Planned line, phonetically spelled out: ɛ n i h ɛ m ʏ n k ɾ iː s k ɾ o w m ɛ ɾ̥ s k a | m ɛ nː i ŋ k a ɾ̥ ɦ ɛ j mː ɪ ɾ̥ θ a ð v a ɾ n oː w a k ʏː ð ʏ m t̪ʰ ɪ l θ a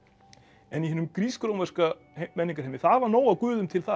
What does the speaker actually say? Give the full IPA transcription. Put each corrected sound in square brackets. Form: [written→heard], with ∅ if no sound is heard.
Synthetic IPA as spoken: ɛ n i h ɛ [m→n] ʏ [n→m] k ɾ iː s k ɾ o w m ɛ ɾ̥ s k a | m ɛ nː i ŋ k a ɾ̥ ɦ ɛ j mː ɪ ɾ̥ θ a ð v a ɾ n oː w a k ʏː ð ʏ m t̪ʰ ɪ l θ a